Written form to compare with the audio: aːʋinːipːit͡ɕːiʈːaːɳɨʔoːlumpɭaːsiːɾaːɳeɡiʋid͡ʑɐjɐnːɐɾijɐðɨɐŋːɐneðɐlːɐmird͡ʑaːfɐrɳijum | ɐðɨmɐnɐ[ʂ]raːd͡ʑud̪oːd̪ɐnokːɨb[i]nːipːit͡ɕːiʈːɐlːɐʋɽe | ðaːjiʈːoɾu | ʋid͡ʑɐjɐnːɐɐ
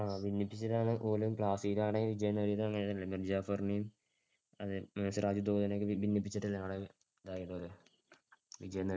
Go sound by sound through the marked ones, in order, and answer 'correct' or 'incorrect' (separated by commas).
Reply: incorrect, correct